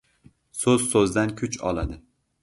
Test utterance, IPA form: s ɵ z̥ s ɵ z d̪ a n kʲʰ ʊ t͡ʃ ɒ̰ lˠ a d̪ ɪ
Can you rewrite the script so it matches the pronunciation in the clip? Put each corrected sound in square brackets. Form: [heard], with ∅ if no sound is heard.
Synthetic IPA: s ɵ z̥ s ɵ z d̪ a n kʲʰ ʊ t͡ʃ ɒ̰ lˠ a d̪ ɪ